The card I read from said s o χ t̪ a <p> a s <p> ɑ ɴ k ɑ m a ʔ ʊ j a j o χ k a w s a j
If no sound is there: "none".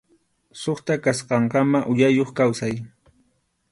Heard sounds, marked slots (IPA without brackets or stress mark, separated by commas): k, q